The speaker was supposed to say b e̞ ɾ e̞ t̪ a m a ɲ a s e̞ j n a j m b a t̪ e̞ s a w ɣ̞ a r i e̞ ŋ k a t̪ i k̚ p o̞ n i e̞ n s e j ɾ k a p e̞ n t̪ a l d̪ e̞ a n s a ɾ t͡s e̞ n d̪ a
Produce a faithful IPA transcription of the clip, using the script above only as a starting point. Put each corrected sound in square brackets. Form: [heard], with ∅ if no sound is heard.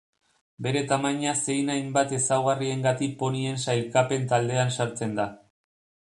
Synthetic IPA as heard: b e̞ ɾ e̞ t̪ a m a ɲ a s e̞ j n a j m b a t̪ e̞ s a w ɣ̞ a r i e̞ ŋ [ɡ] a t̪ i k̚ p o̞ n i e̞ n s [a] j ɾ k a p e̞ n t̪ a l d̪ e̞ a n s a ɾ t͡s e̞ n d̪ a

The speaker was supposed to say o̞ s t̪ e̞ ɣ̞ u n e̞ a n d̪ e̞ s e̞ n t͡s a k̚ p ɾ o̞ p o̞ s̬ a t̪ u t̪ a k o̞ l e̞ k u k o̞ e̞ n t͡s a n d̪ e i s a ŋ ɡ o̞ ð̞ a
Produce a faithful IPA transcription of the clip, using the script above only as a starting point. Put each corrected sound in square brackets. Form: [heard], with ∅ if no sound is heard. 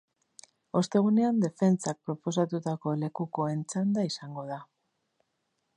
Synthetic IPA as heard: o̞ s t̪ e̞ ɣ̞ u n e̞ a n d̪ e̞ [f] e̞ n t͡s a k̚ p ɾ o̞ p o̞ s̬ a t̪ u t̪ a k o̞ l e̞ k u k o̞ e̞ n t͡s a n d̪ [a] i s a ŋ ɡ o̞ ð̞ a

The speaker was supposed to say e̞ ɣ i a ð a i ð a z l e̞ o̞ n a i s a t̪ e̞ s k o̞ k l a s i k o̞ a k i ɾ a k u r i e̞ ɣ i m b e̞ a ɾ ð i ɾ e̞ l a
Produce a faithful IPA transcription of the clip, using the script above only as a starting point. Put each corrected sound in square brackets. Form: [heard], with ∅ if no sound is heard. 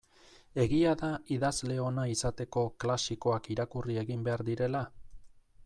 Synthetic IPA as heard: e̞ ɣ i a ð a i ð a z l e̞ o̞ n a i s a t̪ e̞ [∅] k o̞ k l a s i k o̞ a k i ɾ a k u r i e̞ ɣ i m b e̞ a ɾ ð i ɾ e̞ l a

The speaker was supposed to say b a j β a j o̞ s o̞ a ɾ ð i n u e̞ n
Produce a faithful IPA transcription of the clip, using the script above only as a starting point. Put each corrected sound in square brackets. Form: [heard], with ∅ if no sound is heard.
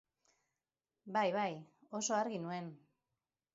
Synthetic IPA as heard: b a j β a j o̞ s o̞ a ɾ [ɣ] i n u e̞ n

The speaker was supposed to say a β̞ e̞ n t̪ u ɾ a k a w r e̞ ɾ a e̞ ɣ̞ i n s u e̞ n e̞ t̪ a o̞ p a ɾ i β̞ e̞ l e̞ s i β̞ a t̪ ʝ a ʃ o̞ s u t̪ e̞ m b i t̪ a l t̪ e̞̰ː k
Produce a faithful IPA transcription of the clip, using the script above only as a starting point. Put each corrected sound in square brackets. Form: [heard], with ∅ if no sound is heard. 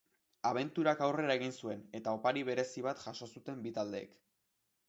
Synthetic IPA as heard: a β̞ e̞ n t̪ u ɾ a k a w r e̞ ɾ a e̞ ɣ̞ i n s u e̞ n e̞ t̪ a o̞ p a ɾ i β̞ e̞ [ɾ] e̞ s i β̞ a t̪ ʝ a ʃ o̞ s u t̪ e̞ m b i t̪ a l [d̪] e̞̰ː k

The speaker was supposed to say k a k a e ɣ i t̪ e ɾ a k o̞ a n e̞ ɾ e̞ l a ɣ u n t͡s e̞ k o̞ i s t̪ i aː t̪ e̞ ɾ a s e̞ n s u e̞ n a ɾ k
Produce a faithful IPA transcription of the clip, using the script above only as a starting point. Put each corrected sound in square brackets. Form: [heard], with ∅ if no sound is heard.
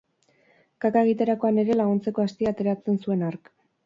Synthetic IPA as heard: k a k a e ɣ i t̪ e ɾ a k o̞ a n e̞ ɾ e̞ l a ɣ u n t͡s e̞ k o̞ [a] s t̪ i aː t̪ e̞ ɾ a [t͡s] e̞ n s u e̞ n a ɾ k

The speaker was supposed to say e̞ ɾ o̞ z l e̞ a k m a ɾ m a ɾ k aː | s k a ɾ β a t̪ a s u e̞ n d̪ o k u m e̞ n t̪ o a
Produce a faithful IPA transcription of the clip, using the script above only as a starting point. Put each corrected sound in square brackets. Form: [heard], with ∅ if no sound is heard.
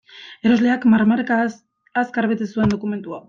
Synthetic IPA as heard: e̞ ɾ o̞ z l e̞ a k m a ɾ m a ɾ k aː | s k a ɾ β [e] t̪ [e] s u e̞ n d̪ o k u m e̞ n t̪ [u] a

